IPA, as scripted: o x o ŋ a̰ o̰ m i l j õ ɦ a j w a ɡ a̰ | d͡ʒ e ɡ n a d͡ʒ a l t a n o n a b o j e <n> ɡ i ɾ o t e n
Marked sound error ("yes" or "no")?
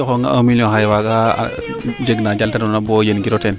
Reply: no